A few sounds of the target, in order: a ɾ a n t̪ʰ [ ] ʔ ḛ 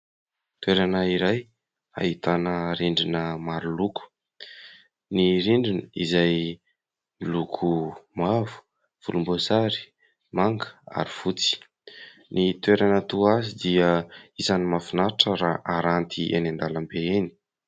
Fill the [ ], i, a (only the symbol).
i